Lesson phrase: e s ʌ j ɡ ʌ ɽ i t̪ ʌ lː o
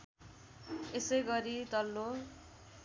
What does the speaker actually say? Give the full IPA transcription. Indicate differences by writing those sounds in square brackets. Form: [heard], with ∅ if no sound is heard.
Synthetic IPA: e s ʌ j ɡ ʌ [ɾ] i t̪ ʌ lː o